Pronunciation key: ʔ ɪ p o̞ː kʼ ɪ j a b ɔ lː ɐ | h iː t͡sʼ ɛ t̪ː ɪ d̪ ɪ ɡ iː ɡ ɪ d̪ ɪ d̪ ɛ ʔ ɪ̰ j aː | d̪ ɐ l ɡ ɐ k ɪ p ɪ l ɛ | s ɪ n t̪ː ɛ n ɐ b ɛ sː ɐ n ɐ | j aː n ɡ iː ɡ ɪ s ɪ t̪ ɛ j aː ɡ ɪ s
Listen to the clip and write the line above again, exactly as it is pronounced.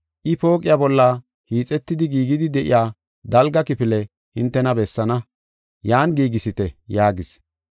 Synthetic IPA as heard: ʔ ɪ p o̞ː kʼ ɪ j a b ɔ lː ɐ | h iː t͡sʼ ɛ t̪ː ɪ d̪ ɪ ɡ iː ɡ ɪ d̪ ɪ d̪ ɛ ʔ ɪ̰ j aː | d̪ ɐ l ɡ ɐ k ɪ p ɪ l ɛ | h ɪ n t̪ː ɛ n ɐ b ɛ sː ɐ n ɐ | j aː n ɡ iː ɡ ɪ s ɪ t̪ ɛ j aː ɡ ɪ s